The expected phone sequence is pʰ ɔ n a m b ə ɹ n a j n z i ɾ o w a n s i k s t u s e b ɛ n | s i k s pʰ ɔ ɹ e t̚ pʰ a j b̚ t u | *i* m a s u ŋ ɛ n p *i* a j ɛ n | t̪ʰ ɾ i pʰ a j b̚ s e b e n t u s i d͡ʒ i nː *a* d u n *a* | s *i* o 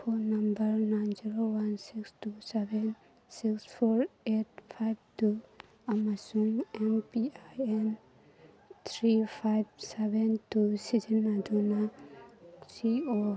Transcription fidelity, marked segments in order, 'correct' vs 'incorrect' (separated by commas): incorrect, correct, correct, correct, correct